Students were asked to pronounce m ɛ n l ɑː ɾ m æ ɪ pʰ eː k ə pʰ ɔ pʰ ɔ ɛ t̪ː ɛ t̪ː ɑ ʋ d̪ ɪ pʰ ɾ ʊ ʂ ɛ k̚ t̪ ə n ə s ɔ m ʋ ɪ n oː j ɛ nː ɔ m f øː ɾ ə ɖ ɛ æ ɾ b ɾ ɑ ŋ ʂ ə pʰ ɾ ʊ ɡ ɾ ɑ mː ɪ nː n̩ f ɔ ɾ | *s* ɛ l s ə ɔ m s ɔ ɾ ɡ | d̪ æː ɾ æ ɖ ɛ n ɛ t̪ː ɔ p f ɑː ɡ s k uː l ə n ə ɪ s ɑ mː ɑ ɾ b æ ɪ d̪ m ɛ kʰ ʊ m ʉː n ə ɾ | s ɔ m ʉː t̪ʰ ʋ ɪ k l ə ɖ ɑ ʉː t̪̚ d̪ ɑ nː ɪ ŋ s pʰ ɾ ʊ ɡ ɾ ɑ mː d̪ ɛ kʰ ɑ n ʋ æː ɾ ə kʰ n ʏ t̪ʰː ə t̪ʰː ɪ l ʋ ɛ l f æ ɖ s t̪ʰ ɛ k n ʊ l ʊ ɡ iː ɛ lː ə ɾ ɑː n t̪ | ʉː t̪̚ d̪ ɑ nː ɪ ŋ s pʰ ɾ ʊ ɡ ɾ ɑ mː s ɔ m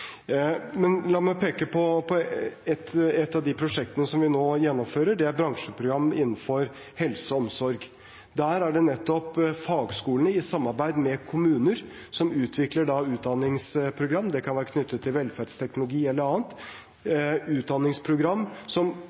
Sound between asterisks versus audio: incorrect: h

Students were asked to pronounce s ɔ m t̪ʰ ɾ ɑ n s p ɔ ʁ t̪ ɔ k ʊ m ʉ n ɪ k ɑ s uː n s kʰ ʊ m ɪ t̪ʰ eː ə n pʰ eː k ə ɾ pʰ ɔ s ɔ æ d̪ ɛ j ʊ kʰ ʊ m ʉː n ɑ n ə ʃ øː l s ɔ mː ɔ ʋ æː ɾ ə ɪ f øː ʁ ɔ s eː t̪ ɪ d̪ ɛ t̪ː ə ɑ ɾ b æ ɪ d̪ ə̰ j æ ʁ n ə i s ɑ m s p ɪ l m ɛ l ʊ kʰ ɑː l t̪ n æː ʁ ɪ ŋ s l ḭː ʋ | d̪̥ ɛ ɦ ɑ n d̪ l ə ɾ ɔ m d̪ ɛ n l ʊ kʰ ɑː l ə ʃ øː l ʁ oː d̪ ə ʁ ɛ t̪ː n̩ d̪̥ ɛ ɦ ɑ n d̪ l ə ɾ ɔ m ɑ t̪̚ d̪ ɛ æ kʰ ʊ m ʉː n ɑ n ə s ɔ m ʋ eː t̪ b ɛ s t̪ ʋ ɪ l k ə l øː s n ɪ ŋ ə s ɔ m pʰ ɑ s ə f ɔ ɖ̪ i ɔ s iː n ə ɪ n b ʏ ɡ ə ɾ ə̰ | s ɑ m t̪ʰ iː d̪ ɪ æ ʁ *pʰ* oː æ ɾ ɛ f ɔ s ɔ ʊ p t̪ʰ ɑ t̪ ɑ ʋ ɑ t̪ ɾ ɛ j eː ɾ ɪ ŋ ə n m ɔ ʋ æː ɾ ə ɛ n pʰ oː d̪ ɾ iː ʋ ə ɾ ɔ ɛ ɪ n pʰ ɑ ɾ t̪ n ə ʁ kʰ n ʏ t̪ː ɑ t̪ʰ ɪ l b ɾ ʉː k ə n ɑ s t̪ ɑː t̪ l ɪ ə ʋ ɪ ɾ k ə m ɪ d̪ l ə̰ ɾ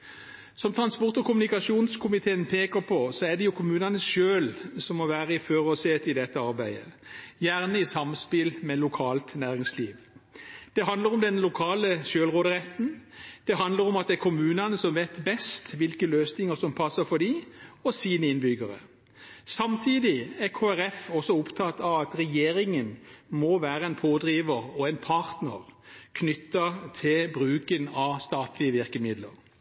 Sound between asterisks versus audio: incorrect: kʰ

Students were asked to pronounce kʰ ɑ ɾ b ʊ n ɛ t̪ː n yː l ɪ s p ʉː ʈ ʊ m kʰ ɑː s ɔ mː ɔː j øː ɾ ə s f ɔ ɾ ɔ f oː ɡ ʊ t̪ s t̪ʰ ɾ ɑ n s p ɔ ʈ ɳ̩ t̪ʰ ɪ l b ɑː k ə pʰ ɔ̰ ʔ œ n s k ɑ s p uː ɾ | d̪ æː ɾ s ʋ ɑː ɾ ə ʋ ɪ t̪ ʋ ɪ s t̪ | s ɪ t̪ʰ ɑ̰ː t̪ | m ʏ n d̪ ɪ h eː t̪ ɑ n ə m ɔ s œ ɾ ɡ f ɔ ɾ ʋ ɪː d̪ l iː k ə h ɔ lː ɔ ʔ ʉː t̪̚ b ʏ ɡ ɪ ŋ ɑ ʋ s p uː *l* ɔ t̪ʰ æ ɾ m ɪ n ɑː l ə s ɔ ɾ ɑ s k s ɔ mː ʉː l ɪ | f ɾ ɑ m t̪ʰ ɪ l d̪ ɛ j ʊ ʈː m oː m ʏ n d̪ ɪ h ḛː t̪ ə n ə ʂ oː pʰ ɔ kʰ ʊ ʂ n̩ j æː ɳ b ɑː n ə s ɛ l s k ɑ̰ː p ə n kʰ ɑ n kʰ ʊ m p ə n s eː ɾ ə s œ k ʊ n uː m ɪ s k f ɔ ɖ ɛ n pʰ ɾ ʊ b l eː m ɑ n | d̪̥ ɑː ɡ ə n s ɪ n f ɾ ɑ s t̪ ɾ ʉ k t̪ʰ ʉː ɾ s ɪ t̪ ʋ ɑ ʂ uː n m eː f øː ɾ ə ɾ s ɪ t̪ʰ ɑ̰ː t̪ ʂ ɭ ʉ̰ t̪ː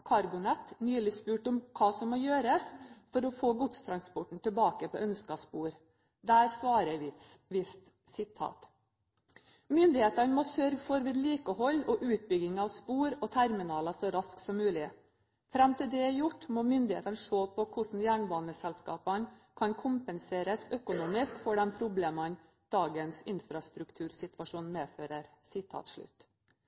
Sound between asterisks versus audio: incorrect: ɾ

